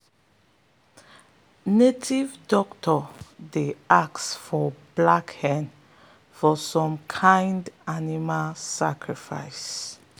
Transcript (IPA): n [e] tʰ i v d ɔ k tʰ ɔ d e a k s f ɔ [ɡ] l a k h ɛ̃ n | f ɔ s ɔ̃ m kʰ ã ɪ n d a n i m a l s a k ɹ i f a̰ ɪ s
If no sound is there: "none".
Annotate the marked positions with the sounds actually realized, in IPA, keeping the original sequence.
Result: e, b

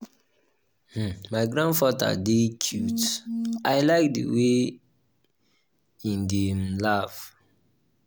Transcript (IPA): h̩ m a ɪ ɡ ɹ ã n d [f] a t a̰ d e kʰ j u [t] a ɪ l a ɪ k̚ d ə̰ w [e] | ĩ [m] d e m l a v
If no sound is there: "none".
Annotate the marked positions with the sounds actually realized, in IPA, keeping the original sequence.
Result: f, t, e, n

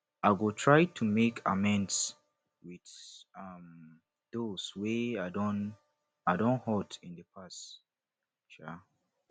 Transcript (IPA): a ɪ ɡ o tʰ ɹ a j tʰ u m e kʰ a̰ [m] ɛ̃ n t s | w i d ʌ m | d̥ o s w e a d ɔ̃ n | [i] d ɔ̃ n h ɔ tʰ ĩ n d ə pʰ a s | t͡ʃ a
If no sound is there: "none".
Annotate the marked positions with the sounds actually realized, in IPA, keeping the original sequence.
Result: m, a

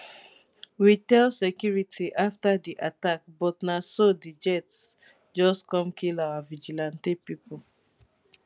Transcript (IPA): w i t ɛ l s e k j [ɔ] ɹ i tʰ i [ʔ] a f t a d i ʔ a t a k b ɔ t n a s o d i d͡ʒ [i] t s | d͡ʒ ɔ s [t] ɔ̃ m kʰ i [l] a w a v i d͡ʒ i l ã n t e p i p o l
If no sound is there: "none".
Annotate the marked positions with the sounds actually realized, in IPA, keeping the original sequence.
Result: u, ʔ, ɛ, k, l

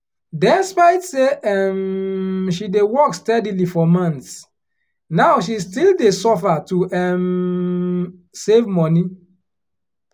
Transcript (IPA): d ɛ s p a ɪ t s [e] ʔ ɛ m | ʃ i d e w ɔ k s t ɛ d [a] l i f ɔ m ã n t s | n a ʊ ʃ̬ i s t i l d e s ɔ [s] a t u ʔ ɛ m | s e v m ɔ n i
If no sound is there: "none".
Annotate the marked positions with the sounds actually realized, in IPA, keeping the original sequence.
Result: e, i, f

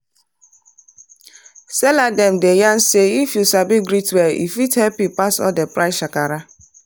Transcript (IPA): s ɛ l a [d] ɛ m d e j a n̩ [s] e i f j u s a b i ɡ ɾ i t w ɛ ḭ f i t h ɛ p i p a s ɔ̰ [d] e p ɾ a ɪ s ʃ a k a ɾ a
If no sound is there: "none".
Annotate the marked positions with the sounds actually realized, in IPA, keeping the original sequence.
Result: d, s, d

